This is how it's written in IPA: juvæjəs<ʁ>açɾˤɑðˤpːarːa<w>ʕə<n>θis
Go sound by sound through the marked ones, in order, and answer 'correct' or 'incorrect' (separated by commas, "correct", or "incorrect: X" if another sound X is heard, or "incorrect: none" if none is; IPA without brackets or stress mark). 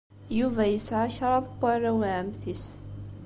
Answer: incorrect: ʕ, correct, incorrect: m